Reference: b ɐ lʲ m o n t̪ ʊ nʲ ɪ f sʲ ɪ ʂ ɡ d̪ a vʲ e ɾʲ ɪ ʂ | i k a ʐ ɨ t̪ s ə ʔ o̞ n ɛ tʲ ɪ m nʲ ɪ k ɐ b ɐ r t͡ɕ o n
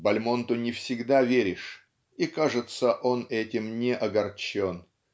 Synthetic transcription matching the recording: b ɐ lʲ m o n t̪ ʊ nʲ ɪ f sʲ ɪ ɡ d̪ a vʲ e ɾʲ ɪ ʂ | i k a ʐ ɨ t̪ s ə ʔ o̞ n ɛ tʲ ɪ m nʲ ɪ ʔ ɐ ɡ ɐ r t͡ɕ o n